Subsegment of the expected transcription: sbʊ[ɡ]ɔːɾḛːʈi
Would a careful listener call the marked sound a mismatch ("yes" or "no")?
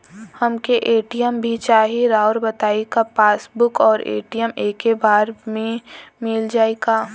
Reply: yes